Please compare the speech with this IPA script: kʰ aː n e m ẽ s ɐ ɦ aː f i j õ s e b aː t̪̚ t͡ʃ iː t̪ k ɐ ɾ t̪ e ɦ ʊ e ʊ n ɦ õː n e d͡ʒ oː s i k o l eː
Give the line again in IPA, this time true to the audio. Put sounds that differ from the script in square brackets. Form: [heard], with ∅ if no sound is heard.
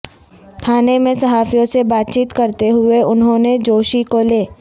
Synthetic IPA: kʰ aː n e m ẽ s ɐ ɦ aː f i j õ s e b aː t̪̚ t͡ʃ iː t̪ k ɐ ɾ t̪ e ɦ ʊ e ʊ n ɦ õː n e d͡ʒ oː [ʃ] i k o l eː